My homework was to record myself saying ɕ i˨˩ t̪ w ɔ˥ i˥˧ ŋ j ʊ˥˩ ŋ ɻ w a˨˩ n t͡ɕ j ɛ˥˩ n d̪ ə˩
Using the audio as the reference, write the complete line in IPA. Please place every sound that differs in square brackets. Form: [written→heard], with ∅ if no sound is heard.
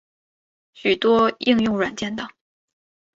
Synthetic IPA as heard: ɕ [i˨˩→y˨˩] t̪ w ɔ˥ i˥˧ ŋ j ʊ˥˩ ŋ ɻ w a˨˩ n t͡ɕ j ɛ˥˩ n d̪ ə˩